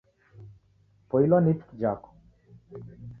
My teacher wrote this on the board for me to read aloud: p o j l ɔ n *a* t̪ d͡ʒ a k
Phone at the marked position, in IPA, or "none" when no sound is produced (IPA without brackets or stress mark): i